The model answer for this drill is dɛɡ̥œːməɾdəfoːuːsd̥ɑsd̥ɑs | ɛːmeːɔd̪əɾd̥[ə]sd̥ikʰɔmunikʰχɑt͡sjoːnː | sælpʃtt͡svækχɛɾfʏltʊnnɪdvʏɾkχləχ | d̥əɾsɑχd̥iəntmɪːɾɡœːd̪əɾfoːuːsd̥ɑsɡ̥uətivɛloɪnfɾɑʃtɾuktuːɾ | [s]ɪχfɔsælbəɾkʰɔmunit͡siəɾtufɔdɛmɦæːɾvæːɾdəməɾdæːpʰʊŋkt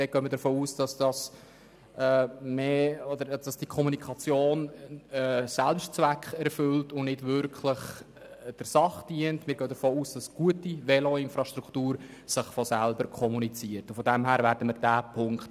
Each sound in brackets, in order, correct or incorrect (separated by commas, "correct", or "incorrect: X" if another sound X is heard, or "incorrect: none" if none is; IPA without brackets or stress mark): incorrect: ɑ, correct